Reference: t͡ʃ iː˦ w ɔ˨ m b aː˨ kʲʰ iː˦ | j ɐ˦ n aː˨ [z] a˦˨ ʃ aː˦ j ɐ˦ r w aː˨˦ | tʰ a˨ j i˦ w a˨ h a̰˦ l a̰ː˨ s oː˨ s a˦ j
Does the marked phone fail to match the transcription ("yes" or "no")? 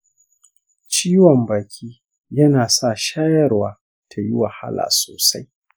yes